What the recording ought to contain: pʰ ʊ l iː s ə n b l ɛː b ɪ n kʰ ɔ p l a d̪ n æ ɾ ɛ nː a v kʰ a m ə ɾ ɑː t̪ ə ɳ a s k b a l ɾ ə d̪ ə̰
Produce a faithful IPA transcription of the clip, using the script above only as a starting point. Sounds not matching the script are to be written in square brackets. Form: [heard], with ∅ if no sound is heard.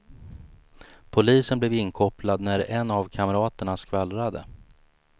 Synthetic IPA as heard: pʰ ʊ l iː s ə n b l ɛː [v] ɪ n kʰ ɔ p l a d̪ n æ ɾ ɛ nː a v kʰ a m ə ɾ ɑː t̪ ə ɳ a s k [v] a l ɾ [a] d̪ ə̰